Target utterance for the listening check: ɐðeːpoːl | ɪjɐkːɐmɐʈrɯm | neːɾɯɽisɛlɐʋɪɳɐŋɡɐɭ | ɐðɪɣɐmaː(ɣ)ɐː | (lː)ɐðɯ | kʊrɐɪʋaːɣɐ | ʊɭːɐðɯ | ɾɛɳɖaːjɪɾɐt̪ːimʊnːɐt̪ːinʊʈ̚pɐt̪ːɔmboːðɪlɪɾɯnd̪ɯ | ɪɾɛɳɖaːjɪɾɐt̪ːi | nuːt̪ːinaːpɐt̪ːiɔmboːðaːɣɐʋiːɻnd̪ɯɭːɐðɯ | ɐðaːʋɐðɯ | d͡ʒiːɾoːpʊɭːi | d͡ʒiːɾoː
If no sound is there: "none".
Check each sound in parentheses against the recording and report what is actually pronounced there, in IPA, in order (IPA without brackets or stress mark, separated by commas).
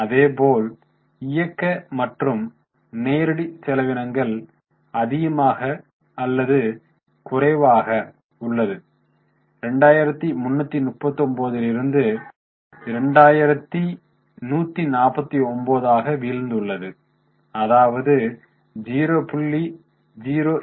ɣ, lː